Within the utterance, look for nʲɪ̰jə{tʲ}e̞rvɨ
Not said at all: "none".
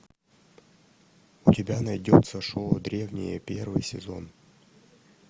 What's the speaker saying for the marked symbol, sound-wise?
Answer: pʲ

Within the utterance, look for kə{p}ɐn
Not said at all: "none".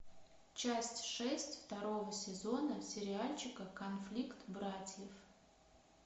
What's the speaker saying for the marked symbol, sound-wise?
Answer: k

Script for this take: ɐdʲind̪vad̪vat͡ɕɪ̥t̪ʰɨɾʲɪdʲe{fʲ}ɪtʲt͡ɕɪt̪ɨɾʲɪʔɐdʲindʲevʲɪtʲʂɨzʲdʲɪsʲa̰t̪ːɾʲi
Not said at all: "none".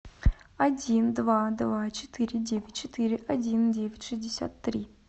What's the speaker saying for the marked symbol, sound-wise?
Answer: vʲ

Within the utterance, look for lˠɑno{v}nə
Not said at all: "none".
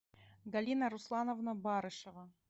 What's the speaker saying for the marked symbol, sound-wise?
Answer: v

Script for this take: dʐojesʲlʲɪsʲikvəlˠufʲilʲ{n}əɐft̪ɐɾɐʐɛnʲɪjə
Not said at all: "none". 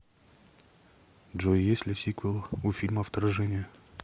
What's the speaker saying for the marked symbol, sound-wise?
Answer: m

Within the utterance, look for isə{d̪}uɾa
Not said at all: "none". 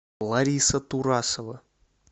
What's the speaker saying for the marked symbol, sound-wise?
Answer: t̪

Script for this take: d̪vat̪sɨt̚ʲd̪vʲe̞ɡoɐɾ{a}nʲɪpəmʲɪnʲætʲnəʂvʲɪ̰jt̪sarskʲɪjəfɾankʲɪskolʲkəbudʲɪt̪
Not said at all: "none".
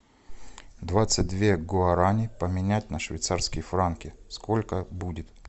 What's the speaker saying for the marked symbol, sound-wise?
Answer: a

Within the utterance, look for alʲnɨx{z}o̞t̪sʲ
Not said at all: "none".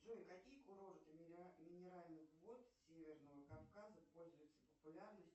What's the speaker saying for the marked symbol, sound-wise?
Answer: v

